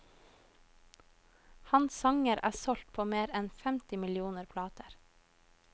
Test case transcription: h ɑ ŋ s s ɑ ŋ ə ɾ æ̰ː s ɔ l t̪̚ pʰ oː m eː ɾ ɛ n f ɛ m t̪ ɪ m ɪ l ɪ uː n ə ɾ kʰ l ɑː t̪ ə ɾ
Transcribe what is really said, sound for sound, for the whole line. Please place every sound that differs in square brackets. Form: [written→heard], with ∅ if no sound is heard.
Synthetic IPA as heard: h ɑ [ŋ→n] s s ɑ ŋ ə ɾ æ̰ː s ɔ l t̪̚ pʰ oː m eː ɾ ɛ n f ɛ m t̪ ɪ m ɪ l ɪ uː n ə ɾ [kʰ→pʰ] l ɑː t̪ ə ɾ